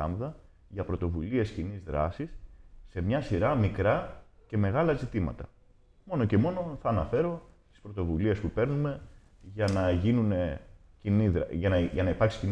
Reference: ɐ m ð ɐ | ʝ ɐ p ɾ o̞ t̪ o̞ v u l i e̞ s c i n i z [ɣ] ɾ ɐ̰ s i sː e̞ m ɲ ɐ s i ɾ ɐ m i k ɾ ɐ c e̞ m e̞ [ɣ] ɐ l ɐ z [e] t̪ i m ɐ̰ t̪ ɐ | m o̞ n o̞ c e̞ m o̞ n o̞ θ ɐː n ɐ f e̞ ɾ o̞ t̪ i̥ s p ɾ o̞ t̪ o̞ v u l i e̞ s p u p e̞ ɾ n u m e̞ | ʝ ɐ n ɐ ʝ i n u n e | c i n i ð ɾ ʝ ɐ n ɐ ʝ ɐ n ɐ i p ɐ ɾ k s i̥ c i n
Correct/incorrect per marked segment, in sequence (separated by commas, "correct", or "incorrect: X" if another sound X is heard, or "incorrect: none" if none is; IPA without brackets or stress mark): incorrect: ð, correct, incorrect: i